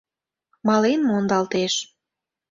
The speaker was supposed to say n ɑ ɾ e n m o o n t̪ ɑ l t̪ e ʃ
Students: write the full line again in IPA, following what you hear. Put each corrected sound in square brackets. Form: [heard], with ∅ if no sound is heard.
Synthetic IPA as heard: [m] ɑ [l] e n m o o n [d̪] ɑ l t̪ e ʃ